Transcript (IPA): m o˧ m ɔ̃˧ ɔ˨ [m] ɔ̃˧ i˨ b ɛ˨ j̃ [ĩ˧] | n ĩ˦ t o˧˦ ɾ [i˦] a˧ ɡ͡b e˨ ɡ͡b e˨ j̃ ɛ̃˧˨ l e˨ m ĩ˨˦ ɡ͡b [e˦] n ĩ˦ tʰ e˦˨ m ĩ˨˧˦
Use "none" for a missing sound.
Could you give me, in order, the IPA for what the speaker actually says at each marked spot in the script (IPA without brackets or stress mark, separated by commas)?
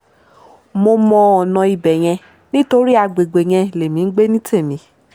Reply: n, ɛ̃˧, i˦, e˦